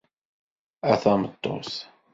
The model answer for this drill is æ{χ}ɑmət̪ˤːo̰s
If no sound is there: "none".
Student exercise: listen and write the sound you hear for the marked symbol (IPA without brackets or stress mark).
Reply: θ